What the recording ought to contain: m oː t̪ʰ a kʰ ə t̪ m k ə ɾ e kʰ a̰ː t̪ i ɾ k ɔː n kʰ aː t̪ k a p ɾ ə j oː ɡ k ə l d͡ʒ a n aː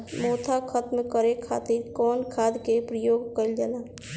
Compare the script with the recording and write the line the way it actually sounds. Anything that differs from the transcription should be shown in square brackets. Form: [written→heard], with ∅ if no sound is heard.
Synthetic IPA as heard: m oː t̪ʰ a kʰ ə t̪ m k ə ɾ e kʰ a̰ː t̪ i ɾ k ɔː n kʰ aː [t̪→d̪] k [a→e] p ɾ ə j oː ɡ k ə l d͡ʒ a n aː